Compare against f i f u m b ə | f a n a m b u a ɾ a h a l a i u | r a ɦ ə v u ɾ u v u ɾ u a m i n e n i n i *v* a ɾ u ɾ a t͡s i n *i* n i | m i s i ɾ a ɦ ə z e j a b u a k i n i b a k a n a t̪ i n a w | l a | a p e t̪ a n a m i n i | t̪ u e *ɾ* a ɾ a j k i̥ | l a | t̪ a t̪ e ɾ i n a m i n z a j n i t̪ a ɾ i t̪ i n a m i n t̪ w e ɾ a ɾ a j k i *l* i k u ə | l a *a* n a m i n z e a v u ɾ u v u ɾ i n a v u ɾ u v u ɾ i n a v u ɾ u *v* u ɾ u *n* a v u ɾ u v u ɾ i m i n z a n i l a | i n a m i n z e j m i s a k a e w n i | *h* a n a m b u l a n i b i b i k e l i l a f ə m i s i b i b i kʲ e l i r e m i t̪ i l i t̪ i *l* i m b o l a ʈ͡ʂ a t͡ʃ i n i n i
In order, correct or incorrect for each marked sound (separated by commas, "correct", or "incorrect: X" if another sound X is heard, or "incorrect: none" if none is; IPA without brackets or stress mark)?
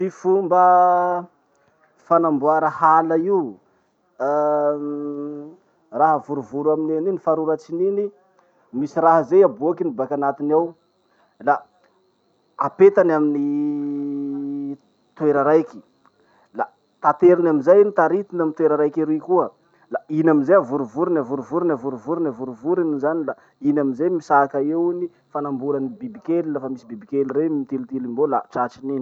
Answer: incorrect: f, correct, correct, incorrect: ɾ, incorrect: i, correct, correct, incorrect: f, correct